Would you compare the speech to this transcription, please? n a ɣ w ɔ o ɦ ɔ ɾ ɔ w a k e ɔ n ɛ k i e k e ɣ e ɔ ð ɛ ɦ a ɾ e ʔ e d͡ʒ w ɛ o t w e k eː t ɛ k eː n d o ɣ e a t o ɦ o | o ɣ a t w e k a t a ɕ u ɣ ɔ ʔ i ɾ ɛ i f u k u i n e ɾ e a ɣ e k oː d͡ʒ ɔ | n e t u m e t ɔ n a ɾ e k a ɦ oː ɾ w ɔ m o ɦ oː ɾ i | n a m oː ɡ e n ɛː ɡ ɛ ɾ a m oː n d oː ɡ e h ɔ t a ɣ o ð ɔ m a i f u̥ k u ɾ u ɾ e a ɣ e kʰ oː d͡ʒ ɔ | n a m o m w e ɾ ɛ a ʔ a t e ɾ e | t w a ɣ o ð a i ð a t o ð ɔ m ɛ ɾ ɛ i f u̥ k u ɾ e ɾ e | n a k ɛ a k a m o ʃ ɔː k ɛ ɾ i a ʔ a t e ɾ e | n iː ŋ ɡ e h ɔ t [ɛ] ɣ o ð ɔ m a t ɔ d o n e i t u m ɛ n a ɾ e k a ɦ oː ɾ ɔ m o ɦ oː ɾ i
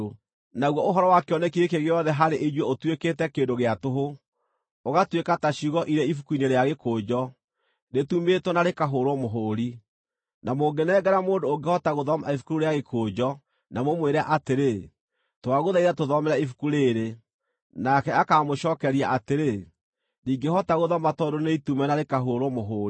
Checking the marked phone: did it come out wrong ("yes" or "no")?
yes